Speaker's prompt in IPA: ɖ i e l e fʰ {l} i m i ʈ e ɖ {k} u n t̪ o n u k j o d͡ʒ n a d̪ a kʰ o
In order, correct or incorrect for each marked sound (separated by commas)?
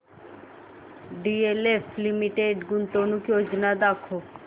correct, incorrect